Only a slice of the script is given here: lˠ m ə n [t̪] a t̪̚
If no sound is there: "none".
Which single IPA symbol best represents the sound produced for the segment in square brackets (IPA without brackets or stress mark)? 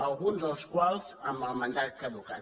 d̪